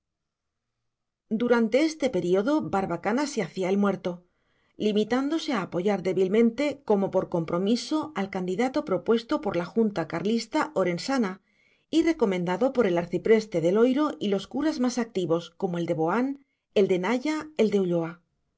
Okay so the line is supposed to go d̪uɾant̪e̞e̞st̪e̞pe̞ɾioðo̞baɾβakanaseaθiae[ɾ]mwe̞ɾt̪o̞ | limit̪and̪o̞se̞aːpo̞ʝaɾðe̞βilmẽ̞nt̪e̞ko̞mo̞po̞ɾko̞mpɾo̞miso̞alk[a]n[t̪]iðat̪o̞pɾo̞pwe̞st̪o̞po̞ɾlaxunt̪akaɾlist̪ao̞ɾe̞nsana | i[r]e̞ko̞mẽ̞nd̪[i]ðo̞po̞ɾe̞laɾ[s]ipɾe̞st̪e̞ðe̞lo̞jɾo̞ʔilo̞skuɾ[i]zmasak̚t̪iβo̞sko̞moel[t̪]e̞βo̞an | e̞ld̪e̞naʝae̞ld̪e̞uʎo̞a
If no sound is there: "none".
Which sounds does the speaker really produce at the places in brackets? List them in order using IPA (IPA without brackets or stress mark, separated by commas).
l, a, d̪, r, a, θ, a, d̪